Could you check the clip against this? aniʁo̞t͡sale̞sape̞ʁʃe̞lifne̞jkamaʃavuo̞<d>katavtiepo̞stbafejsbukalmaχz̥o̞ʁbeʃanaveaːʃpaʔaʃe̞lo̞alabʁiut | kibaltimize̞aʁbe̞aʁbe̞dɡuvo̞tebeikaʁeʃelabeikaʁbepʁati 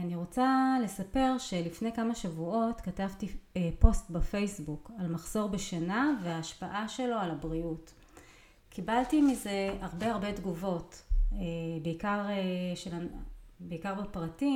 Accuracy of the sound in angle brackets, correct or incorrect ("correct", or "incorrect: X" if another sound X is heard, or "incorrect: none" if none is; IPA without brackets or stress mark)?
incorrect: t